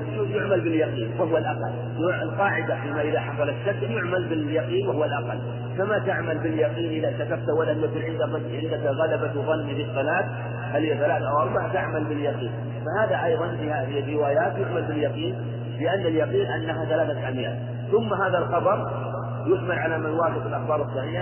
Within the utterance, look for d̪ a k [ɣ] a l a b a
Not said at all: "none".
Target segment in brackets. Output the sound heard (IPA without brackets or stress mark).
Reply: ɣ